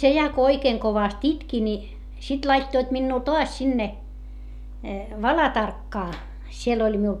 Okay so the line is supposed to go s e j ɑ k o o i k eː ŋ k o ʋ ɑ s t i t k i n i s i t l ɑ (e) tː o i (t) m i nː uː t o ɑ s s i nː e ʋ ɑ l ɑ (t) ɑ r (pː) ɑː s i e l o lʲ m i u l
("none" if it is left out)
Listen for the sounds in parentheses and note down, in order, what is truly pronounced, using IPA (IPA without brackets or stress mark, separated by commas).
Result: i, t, t, kː